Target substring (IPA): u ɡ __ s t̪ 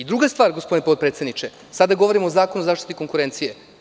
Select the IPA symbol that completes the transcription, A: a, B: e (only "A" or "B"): A